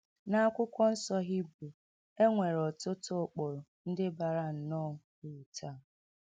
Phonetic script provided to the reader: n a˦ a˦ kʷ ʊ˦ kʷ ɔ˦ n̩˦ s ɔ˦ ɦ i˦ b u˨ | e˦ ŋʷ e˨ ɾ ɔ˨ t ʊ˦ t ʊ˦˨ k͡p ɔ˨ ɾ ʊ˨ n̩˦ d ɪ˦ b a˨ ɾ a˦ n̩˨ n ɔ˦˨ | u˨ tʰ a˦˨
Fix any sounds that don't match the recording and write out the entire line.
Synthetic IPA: n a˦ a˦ kʷ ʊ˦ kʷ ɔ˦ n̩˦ s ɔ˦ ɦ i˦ b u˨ | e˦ ŋʷ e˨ ɾ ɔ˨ t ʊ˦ t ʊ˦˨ k͡p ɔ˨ ɾ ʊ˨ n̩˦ d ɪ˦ b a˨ ɾ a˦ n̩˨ n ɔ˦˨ | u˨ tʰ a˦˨

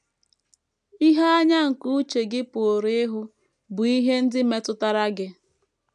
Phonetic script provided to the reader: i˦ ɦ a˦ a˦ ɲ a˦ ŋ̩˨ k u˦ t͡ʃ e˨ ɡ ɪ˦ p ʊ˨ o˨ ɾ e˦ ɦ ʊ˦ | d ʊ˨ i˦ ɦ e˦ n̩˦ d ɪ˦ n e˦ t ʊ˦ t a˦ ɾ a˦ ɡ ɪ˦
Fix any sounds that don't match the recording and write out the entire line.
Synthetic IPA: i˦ ɦ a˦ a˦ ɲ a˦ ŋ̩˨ k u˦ t͡ʃ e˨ ɡ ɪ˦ p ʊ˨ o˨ ɾ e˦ ɦ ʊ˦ | b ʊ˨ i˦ ɦ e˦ n̩˦ d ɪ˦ m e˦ t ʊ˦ t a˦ ɾ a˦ ɡ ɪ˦

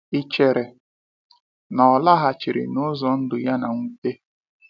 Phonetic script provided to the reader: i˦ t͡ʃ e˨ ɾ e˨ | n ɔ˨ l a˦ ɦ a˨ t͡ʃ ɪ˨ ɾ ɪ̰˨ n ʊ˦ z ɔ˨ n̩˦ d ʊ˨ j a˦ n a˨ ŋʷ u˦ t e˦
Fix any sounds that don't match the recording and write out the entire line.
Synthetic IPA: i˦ t͡ʃ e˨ ɾ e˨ | n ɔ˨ l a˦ ɦ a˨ t͡ʃ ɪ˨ ɾ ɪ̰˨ n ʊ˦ z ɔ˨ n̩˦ d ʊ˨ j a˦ n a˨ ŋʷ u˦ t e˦

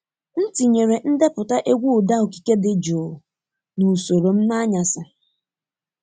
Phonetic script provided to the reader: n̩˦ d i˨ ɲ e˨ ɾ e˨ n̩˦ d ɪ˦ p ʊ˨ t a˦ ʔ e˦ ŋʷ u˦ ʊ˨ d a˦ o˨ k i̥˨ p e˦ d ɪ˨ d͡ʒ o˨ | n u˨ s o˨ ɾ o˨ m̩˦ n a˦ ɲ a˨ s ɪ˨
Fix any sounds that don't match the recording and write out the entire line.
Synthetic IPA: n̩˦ t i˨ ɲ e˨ ɾ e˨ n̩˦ d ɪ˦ p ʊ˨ t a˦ ʔ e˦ ɡʷ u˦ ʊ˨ d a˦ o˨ k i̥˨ k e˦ d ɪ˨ d͡ʒ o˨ | n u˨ s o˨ ɾ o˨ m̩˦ n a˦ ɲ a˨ s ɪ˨

